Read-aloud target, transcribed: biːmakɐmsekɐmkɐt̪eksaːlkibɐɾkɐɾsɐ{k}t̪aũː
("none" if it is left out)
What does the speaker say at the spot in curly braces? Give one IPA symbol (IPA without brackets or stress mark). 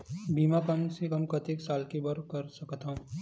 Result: k